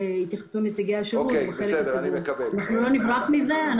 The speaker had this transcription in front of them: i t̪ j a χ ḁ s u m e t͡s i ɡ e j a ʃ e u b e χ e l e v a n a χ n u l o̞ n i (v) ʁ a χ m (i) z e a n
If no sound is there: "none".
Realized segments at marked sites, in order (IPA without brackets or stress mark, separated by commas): v, i